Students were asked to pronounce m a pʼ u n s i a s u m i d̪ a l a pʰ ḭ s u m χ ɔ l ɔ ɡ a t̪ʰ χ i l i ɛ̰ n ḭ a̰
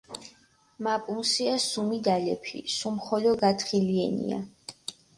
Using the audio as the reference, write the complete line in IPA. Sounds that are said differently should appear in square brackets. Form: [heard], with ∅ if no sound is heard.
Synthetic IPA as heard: m a pʼ u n s i a s u m i d̪ a l [ɛ] pʰ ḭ s u m χ ɔ l ɔ ɡ a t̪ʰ χ i l i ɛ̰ n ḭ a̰